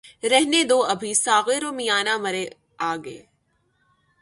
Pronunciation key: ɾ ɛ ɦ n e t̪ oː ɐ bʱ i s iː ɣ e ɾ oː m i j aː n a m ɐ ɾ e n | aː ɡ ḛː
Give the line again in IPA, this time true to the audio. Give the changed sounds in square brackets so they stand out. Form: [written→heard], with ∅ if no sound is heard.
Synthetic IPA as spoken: ɾ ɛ ɦ n e [t̪→d̪] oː ɐ bʱ i s [iː→aː] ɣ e ɾ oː m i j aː n a m ɐ ɾ e [n→∅] | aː ɡ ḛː